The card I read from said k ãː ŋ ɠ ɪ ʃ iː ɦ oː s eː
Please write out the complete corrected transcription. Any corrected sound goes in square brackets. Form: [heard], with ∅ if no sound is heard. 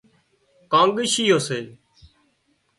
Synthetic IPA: k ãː ŋ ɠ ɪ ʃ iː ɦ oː s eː